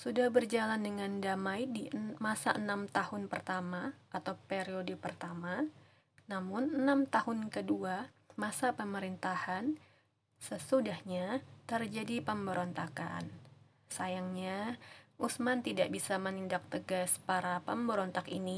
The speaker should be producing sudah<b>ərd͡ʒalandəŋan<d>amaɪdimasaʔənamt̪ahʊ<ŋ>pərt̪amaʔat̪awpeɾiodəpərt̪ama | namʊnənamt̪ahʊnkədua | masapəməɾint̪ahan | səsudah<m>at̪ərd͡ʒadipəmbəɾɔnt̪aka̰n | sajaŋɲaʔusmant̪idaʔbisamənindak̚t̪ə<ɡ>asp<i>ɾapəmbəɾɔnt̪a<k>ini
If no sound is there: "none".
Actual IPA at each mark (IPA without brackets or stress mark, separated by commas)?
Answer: b, d, n, ɲ, ɡ, a, k